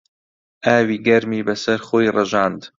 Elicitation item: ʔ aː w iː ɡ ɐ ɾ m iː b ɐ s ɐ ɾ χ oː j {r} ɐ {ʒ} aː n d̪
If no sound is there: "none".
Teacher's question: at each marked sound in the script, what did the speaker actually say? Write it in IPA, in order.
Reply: r, ʒ

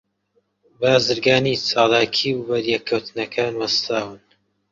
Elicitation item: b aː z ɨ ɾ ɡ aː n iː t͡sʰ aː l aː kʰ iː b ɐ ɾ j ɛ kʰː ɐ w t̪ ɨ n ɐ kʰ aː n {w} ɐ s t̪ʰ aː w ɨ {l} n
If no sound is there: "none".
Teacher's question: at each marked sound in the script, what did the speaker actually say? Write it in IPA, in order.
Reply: w, none

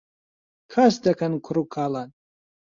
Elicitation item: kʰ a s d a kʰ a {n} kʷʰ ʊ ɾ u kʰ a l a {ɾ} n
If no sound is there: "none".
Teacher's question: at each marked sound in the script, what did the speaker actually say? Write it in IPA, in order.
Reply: n, none

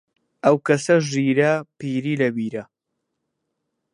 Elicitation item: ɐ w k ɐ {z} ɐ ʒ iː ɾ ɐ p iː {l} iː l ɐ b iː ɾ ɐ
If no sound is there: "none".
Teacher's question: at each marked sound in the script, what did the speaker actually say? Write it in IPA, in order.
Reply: s, ɾ

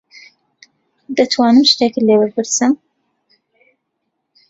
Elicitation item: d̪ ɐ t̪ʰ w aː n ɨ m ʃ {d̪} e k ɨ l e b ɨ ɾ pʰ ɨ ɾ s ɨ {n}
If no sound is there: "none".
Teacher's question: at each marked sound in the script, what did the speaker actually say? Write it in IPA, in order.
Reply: t̪, m

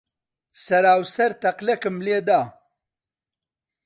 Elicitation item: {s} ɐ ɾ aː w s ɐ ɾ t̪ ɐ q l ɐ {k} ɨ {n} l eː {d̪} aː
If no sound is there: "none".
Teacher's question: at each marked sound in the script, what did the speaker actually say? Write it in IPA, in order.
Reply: s, k, m, d̪

